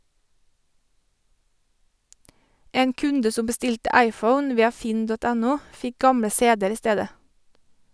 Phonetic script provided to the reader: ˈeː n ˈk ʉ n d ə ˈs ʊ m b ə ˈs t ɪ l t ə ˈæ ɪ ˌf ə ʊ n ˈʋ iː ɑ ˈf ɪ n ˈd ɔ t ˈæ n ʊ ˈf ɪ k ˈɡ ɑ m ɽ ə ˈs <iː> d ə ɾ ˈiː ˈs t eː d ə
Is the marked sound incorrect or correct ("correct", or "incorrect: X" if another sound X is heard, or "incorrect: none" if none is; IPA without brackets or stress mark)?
incorrect: eː